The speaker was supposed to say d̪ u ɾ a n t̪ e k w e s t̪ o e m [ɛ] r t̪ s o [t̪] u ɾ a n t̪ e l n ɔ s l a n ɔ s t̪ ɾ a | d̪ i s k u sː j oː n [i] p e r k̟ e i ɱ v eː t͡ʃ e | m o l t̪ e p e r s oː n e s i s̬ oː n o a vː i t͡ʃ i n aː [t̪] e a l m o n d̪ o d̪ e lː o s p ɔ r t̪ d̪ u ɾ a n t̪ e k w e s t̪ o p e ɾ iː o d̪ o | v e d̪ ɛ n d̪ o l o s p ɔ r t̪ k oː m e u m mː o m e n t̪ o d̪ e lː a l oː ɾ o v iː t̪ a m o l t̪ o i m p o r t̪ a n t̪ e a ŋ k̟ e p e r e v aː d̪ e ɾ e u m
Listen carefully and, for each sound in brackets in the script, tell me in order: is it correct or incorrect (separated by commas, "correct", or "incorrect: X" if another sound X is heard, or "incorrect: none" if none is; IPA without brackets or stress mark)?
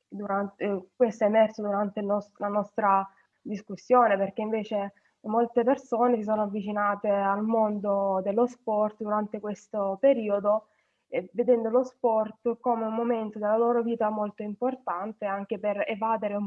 correct, incorrect: d̪, incorrect: e, correct